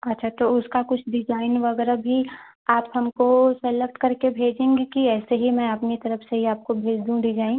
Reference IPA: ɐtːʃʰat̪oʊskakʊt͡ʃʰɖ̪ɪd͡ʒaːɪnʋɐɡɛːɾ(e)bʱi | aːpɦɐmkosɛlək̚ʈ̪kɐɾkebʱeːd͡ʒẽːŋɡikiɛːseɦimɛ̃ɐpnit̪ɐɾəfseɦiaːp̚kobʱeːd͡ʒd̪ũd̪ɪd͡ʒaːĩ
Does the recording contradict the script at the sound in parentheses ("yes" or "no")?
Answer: yes